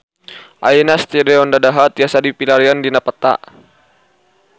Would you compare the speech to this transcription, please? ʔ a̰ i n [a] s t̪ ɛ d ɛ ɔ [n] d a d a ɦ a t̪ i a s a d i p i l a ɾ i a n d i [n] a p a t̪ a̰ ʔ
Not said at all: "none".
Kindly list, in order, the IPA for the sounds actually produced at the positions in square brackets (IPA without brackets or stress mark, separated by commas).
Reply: a, n, n